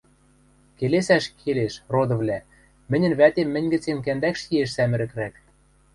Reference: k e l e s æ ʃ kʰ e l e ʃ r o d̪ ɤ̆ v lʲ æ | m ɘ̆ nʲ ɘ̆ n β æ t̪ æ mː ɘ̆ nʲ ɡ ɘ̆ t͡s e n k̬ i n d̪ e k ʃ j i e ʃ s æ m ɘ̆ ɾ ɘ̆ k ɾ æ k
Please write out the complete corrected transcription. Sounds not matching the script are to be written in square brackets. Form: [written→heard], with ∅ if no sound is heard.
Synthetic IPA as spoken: k e l e s æ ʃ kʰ e l e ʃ r o d̪ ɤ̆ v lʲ æ | m ɘ̆ nʲ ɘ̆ n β æ t̪ [æ→e] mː ɘ̆ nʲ ɡ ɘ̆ t͡s e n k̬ [i→æ] n d̪ [e→æ] k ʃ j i e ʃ s æ m ɘ̆ ɾ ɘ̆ k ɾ æ k